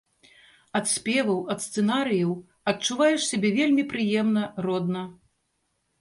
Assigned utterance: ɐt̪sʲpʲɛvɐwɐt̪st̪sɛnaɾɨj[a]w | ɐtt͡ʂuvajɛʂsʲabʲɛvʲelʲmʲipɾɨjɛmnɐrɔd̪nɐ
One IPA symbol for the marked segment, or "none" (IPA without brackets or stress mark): ɐ